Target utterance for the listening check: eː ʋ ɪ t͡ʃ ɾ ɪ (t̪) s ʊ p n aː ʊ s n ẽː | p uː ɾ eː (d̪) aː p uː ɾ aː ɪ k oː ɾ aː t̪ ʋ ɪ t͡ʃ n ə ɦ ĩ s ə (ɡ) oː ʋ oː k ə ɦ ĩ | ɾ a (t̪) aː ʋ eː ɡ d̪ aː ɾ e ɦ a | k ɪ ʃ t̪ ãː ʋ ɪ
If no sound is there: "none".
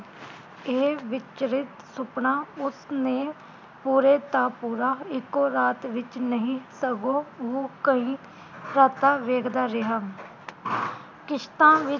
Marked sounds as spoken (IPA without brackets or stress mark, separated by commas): t̪, t̪, ɡ, t̪